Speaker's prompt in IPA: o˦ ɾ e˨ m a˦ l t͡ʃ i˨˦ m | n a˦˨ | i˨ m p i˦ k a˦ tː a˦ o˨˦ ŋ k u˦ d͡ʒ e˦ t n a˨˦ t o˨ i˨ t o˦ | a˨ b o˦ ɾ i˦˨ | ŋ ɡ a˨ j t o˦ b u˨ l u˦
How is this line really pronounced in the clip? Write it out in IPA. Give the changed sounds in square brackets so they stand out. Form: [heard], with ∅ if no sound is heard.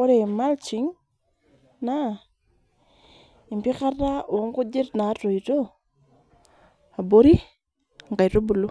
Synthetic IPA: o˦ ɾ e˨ m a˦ l t͡ʃ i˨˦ [ŋ] | n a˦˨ | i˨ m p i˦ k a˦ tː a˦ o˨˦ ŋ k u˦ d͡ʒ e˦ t n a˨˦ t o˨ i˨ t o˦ | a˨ b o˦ ɾ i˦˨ | ŋ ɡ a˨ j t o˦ b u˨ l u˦